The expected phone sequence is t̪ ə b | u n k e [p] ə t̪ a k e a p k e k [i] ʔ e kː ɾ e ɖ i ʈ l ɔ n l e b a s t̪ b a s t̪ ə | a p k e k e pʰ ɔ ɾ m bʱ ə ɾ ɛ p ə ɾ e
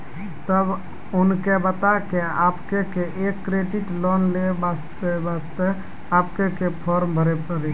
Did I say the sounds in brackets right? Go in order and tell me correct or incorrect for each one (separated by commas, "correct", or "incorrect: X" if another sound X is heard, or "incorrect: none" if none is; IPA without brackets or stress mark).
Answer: incorrect: b, incorrect: e